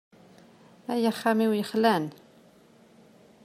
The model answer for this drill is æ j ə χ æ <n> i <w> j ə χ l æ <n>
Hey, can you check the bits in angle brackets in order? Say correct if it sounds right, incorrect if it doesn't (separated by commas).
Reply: incorrect, correct, correct